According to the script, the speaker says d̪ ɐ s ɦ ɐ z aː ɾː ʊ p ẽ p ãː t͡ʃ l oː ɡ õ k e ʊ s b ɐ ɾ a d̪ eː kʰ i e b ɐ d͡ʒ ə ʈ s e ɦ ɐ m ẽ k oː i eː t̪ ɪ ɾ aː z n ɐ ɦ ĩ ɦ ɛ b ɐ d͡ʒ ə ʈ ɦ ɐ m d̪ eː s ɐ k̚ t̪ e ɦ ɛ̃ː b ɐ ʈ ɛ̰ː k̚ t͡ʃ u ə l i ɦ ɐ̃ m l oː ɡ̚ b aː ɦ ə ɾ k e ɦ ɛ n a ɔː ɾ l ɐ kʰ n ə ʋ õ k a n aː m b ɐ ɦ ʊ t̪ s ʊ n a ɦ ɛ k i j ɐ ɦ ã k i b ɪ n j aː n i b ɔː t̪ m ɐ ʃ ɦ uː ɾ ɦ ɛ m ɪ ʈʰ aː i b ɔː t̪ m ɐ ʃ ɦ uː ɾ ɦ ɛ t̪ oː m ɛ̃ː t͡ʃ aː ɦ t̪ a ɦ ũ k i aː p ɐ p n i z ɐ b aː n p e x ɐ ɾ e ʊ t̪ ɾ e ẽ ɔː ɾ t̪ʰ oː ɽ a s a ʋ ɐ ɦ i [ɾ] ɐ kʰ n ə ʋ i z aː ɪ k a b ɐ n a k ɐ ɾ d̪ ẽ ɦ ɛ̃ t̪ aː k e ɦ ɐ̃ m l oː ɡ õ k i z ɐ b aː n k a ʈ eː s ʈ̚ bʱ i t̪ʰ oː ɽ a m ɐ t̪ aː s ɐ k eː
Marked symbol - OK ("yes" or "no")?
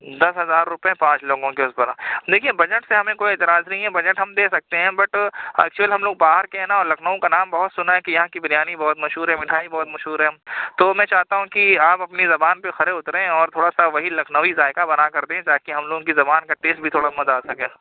no